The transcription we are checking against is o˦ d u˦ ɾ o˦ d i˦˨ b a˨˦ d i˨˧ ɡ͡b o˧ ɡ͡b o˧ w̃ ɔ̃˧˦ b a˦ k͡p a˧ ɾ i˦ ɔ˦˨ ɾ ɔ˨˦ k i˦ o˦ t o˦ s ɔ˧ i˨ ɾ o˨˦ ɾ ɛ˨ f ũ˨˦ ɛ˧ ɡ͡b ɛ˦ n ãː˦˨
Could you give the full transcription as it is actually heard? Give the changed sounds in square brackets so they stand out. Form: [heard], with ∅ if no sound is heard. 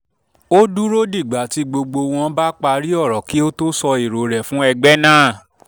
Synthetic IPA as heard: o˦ d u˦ ɾ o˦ d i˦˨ [ɡ͡b] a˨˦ [t] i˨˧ ɡ͡b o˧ ɡ͡b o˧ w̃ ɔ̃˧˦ b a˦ k͡p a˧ ɾ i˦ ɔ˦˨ ɾ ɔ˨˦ k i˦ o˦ t o˦ s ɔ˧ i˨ ɾ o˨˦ ɾ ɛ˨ f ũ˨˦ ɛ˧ ɡ͡b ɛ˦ n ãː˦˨